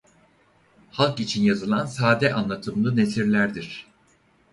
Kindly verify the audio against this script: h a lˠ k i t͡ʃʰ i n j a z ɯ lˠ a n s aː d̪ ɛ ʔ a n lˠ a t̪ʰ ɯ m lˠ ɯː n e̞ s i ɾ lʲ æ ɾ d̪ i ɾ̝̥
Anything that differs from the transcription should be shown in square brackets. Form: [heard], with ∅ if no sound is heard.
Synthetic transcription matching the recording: h a lˠ k i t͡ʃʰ i n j a z ɯ lˠ a n s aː d̪ ɛ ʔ a n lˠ a t̪ʰ ɯ m lˠ [ɯ] n e̞ s i ɾ lʲ æ ɾ d̪ i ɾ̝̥